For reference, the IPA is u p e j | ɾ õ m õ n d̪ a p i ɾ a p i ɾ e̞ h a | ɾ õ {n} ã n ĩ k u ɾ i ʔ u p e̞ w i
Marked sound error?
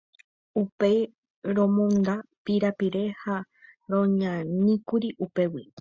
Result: yes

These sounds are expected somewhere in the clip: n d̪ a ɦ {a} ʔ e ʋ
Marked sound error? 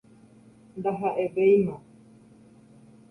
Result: no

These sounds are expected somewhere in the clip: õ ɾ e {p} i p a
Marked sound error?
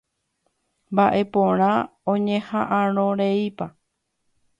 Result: yes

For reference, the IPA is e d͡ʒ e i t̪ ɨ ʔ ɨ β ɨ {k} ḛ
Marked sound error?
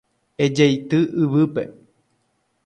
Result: yes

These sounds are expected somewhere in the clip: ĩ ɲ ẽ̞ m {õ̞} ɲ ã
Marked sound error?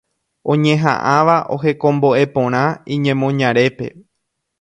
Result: no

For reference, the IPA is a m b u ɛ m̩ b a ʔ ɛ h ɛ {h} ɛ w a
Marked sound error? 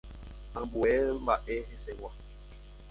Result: yes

